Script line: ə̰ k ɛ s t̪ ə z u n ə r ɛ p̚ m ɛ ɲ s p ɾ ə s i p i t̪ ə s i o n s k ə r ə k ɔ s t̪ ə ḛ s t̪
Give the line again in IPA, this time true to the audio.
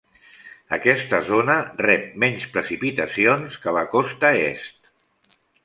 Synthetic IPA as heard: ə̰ k ɛ s t̪ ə z o n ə r ɛ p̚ m ɛ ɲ s p ɾ ə s i p i t̪ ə s i o n s k ə l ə k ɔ s t̪ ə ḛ s t̪